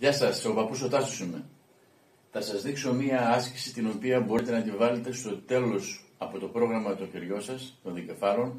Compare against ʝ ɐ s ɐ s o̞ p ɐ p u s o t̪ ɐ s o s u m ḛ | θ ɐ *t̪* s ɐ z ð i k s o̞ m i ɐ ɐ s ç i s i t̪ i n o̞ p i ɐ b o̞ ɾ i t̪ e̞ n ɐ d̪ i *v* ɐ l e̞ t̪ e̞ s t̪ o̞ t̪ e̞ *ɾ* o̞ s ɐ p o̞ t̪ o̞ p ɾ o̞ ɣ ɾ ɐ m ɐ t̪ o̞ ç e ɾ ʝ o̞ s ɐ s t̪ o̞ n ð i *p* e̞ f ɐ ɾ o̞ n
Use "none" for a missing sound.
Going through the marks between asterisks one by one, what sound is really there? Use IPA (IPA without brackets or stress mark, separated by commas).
none, v, l, c